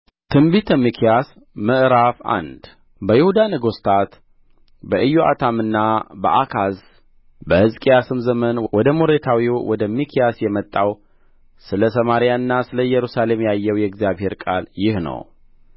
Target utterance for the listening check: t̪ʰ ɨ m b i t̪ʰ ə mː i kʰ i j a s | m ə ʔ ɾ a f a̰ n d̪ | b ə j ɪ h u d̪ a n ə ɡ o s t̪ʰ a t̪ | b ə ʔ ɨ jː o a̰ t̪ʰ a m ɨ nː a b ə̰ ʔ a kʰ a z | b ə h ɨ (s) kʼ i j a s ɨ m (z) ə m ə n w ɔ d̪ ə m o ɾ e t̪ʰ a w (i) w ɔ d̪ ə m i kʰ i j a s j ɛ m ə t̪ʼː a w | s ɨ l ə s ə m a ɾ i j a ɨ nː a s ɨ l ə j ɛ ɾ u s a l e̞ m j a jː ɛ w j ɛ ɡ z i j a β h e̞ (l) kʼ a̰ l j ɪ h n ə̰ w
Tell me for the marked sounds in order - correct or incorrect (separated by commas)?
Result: incorrect, correct, correct, incorrect